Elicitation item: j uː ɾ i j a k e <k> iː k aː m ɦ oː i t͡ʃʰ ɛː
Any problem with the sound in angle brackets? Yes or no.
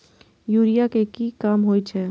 no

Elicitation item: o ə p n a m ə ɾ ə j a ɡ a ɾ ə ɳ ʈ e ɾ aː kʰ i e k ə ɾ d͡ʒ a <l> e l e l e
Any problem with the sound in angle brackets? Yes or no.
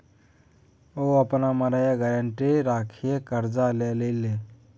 no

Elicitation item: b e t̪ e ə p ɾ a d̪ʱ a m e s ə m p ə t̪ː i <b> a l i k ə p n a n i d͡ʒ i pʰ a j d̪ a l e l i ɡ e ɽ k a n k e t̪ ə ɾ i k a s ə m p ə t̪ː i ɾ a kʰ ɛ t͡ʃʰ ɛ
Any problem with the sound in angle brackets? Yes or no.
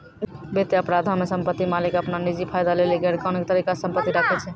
yes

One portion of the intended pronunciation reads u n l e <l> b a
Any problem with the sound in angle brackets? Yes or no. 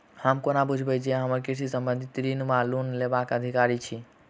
yes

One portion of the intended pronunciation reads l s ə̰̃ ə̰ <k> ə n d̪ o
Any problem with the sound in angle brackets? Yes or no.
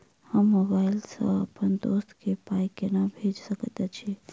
yes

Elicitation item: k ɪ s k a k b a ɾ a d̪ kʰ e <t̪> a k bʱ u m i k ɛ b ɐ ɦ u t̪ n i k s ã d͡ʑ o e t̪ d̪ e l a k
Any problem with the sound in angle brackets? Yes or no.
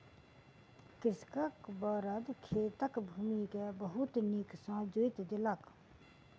no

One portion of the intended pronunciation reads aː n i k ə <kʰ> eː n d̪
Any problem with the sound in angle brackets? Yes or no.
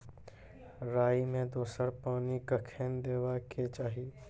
no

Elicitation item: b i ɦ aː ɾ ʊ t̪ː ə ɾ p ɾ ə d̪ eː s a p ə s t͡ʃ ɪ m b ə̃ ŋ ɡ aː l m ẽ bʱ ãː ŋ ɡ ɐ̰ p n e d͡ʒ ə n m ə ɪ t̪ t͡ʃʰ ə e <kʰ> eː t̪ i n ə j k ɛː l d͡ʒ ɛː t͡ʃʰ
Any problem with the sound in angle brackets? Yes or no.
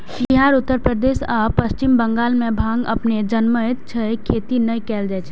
no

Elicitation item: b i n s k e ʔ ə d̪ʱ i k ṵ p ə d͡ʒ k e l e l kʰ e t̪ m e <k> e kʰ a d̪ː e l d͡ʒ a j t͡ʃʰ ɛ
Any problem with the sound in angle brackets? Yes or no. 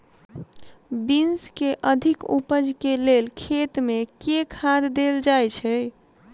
no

